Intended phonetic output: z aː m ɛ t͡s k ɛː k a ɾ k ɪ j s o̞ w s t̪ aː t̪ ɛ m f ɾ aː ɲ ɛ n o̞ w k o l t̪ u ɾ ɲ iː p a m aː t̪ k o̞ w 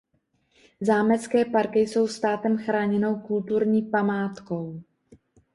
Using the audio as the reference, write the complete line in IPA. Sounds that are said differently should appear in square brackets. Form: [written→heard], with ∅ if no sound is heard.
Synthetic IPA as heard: z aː m ɛ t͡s k ɛː [k→p] a ɾ k ɪ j s o̞ w s t̪ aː t̪ ɛ m [f→x] ɾ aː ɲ ɛ n o̞ w k [o→u] l t̪ u ɾ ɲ iː p a m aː t̪ k o̞ w